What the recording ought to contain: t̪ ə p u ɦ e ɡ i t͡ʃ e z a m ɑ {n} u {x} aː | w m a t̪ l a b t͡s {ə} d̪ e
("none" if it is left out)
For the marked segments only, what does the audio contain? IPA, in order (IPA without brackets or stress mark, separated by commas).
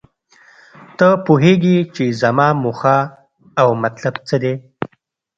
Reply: m, x, ə